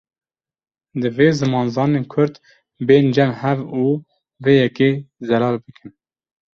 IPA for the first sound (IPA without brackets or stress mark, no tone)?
d̪